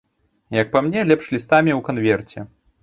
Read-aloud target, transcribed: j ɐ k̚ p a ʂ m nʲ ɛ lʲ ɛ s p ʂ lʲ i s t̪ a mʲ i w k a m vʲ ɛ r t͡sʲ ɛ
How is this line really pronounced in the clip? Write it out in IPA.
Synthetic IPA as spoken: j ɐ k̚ p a m nʲ ɛ lʲ ɛ p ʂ lʲ i s t̪ a mʲ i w k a n vʲ ɛ r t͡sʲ ɛ